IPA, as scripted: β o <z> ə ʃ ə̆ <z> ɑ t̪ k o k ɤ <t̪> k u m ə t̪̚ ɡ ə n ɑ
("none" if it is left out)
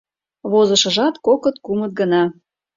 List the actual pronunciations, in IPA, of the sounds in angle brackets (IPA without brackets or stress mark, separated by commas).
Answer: z, ʒ, t̪